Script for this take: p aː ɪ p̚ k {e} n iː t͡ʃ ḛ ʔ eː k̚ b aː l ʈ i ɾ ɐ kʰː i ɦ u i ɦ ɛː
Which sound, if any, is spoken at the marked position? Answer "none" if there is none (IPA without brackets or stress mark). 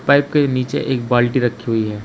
e